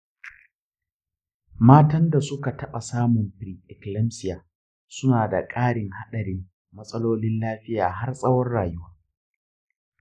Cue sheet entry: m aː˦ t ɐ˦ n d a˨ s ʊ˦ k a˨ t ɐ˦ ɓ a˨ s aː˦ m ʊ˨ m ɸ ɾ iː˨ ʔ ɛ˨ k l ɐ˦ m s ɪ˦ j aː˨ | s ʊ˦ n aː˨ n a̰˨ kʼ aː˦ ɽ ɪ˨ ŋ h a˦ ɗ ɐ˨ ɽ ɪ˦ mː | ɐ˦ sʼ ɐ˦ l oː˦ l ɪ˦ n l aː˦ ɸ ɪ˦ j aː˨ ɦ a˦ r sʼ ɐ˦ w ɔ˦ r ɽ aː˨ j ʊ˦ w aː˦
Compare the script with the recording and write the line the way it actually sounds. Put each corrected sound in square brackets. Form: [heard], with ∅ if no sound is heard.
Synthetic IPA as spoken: m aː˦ t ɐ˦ n d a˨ s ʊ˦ k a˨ t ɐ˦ ɓ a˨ s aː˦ m ʊ˨ m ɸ ɾ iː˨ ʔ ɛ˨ k l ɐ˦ m s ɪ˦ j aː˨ | s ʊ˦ n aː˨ [d] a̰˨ kʼ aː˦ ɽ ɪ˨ ŋ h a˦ ɗ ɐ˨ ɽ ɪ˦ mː | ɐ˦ sʼ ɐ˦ l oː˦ l ɪ˦ n l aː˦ ɸ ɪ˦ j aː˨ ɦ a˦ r sʼ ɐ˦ w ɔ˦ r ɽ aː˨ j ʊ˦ w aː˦